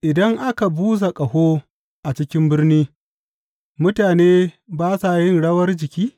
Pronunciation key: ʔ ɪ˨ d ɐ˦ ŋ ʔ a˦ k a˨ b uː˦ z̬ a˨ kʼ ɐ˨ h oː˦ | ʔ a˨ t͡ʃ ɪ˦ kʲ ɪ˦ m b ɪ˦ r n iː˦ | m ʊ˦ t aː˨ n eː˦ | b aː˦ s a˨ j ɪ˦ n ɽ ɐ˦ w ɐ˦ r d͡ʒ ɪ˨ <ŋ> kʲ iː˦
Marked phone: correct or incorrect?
incorrect